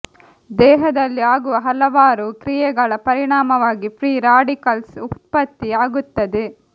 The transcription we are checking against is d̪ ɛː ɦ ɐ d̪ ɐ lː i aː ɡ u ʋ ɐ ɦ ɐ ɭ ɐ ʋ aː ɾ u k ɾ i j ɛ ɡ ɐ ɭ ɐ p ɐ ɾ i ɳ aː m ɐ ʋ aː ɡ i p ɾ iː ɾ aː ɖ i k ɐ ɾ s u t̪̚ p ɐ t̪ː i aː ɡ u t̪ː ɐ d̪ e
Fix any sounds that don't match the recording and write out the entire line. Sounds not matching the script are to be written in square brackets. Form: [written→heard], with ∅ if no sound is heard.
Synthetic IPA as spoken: d̪ ɛː ɦ ɐ d̪ ɐ lː i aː ɡ u ʋ ɐ ɦ ɐ [ɭ→l] ɐ ʋ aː ɾ u k ɾ i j ɛ ɡ ɐ ɭ ɐ p ɐ ɾ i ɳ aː m ɐ ʋ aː ɡ i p ɾ iː ɾ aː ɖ i k ɐ [ɾ→l] s u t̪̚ p ɐ t̪ː i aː ɡ u t̪ː ɐ d̪ e